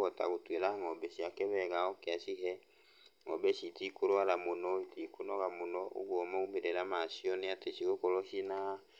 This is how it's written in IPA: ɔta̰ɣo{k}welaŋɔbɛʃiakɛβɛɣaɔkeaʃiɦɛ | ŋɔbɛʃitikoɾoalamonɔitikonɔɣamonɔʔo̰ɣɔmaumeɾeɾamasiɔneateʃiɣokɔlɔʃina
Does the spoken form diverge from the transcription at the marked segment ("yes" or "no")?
yes